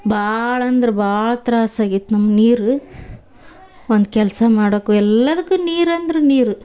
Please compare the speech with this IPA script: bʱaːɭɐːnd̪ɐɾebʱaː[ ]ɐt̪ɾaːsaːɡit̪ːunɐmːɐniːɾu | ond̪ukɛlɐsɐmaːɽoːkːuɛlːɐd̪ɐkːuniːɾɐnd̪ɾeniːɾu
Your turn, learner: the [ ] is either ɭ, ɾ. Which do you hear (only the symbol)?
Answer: ɭ